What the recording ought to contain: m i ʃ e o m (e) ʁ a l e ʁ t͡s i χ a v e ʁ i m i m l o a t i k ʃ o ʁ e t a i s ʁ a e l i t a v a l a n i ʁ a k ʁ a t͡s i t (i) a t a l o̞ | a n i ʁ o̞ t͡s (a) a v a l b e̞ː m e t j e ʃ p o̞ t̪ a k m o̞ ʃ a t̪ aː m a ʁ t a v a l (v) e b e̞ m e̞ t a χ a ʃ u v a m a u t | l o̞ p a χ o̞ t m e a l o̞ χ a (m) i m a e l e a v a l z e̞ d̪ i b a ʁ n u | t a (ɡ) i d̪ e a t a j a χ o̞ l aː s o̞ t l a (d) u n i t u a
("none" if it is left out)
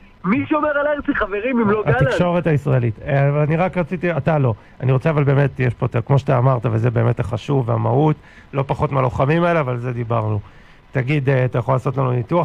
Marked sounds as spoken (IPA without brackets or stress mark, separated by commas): e, i, e, z, m, ɡ, n